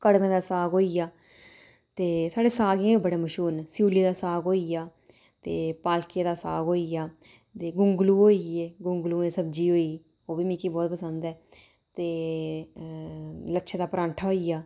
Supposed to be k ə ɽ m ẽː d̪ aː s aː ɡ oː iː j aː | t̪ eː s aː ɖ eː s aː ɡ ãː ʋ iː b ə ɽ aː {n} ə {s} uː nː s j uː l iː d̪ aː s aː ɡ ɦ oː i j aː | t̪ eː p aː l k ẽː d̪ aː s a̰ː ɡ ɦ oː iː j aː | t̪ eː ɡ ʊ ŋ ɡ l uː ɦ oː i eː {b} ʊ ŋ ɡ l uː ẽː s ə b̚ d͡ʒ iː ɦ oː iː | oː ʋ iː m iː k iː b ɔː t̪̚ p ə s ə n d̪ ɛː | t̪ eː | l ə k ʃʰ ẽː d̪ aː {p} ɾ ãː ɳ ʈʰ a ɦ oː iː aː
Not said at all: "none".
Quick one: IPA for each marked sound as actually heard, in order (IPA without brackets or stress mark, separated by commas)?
m, ʃ, ɡ, p